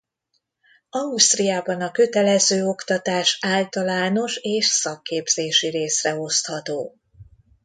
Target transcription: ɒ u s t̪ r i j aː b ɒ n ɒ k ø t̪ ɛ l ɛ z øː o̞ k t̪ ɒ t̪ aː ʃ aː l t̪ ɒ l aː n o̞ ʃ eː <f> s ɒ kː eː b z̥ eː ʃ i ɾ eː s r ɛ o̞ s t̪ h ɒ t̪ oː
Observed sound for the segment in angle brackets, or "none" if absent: ʃ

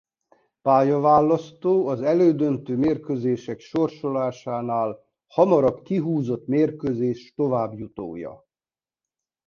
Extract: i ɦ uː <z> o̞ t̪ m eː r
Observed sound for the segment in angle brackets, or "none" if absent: z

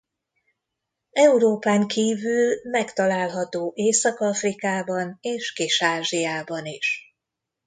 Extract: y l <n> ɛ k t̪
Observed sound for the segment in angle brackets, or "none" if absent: m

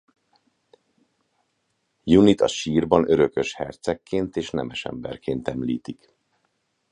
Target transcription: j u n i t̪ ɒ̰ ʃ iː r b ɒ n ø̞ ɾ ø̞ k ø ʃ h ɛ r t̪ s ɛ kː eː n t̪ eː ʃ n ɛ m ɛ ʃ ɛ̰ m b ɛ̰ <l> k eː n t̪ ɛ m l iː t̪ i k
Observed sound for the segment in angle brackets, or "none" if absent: r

